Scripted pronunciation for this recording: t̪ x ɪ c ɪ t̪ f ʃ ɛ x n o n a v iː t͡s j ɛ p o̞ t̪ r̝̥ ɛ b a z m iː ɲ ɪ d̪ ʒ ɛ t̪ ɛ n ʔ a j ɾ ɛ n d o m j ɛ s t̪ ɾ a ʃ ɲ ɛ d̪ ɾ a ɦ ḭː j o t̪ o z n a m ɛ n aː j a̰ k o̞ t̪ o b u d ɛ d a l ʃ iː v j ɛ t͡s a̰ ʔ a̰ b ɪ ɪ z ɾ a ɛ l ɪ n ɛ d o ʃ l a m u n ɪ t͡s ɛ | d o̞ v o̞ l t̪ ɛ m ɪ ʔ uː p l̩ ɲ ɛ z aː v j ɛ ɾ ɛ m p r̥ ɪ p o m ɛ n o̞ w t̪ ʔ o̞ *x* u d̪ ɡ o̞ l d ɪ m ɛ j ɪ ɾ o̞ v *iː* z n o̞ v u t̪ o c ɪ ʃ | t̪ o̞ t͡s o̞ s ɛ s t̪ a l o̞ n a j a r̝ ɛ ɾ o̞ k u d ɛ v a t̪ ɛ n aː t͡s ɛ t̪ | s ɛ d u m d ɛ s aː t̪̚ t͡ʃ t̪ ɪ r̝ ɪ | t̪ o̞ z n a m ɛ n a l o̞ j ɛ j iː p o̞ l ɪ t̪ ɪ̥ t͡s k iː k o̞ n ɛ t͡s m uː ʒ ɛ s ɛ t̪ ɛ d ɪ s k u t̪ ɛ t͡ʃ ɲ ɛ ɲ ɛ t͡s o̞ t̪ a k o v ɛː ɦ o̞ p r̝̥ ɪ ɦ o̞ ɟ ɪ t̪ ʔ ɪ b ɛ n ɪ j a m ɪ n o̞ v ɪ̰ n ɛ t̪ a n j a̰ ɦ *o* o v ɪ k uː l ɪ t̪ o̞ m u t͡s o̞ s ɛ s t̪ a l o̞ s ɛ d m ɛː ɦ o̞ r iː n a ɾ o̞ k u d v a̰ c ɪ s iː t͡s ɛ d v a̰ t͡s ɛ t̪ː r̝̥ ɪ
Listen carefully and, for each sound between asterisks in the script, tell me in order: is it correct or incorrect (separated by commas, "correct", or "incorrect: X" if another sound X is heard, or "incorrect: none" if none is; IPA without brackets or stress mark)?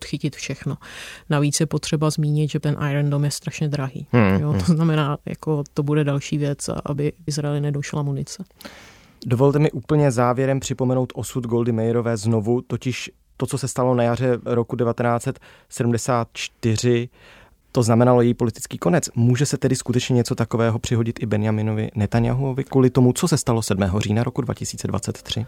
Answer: incorrect: s, incorrect: ɛː, incorrect: u